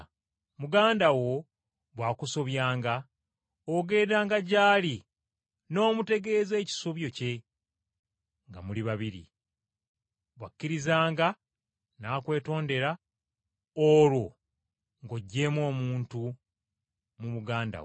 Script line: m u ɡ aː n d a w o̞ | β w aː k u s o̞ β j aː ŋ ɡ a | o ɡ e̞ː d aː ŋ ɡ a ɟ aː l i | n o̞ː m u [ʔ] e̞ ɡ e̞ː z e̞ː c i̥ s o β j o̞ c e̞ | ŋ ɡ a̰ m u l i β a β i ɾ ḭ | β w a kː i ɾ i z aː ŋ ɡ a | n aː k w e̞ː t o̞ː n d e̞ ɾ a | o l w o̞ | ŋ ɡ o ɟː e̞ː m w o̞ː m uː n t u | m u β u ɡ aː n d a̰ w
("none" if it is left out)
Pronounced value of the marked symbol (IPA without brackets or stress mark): t